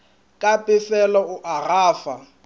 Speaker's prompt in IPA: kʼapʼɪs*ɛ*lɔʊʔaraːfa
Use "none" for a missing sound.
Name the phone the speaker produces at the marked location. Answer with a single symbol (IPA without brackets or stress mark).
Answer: ɛ